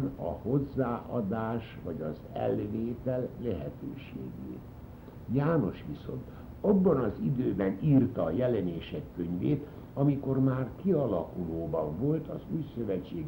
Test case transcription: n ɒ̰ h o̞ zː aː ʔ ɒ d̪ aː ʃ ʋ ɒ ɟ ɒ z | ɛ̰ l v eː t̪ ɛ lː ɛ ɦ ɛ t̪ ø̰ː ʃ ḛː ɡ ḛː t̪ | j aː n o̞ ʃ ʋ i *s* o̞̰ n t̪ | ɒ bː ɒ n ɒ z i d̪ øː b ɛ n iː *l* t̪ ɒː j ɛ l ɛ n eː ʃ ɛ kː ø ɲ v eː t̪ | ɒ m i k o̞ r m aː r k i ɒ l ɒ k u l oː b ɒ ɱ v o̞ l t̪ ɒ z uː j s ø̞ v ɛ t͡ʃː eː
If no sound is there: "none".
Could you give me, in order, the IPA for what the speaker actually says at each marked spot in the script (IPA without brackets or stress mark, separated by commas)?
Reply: s, r